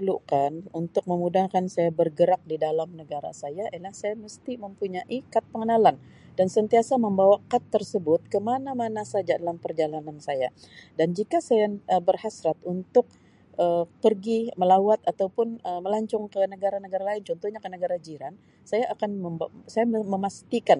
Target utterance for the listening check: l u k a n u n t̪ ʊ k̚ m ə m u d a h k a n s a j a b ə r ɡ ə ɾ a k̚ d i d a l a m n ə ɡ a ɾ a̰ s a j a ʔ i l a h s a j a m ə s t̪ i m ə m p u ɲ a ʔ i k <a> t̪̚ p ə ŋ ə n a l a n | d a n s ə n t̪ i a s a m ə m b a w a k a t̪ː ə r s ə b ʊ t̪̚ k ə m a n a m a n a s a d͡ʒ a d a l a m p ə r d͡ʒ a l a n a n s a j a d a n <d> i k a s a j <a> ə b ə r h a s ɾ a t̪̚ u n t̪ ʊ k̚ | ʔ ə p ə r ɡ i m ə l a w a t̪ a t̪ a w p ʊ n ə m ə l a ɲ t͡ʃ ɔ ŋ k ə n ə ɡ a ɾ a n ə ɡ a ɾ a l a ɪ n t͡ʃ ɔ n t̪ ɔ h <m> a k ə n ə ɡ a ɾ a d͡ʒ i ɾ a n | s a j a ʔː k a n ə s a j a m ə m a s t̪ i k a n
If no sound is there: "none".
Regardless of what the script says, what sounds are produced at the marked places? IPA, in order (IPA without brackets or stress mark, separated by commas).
a, d͡ʒ, a, ɲ